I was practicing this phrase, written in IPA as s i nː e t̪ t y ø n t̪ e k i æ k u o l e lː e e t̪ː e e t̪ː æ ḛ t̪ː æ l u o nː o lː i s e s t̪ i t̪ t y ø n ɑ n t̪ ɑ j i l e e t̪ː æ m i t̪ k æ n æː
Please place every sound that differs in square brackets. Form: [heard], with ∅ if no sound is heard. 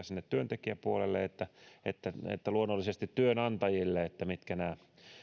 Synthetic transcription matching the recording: s i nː e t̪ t y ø n t̪ e k i æ [p] u o l e lː e e t̪ː [æ] e t̪ː æ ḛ t̪ː æ l u o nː o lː i s e s t̪ i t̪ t y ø n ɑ n t̪ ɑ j i [lː] e e t̪ː æ m i t̪ k æ n æː